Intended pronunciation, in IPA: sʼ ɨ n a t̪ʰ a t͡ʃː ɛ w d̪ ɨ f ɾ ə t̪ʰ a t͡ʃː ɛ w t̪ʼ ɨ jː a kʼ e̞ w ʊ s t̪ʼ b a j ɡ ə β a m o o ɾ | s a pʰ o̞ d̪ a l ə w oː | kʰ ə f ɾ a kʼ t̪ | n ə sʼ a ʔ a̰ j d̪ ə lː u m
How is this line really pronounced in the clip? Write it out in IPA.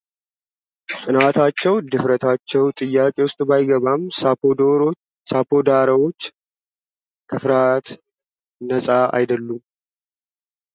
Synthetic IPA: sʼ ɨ n a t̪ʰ a t͡ʃː ɛ w d̪ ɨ f ɾ ə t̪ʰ a t͡ʃː ɛ w t̪ʼ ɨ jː a kʼ e̞ w ʊ s t̪ʼ b a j ɡ ə β a m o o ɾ | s a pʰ o̞ d̪ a ɾ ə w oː | kʰ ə f ɾ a t̪ | n ə sʼ a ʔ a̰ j d̪ ə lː u m